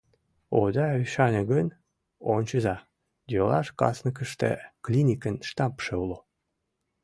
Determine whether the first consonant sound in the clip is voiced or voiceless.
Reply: voiced